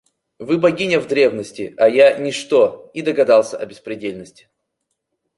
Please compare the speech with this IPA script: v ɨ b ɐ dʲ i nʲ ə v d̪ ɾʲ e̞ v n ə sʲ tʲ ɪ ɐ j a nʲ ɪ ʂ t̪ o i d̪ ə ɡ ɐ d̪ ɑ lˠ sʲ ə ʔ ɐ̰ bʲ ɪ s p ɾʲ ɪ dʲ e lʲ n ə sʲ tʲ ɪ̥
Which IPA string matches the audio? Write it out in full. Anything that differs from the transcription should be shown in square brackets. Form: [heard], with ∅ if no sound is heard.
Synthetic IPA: v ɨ b ɐ [ɡʲ] i nʲ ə v d̪ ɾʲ e̞ v n ə sʲ tʲ ɪ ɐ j a nʲ ɪ ʂ t̪ o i d̪ ə ɡ ɐ d̪ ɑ lˠ sʲ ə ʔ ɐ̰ bʲ ɪ s p ɾʲ ɪ dʲ e lʲ n ə sʲ tʲ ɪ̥